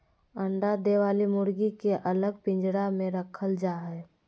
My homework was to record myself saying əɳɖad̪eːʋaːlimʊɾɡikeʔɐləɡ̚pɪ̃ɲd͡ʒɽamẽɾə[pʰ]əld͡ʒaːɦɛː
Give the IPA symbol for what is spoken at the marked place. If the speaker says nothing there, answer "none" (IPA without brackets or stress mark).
kʰ